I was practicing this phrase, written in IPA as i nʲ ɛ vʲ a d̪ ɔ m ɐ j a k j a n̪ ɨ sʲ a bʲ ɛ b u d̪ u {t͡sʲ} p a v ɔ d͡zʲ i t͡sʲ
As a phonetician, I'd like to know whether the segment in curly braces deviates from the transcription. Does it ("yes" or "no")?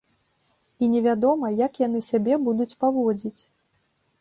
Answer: no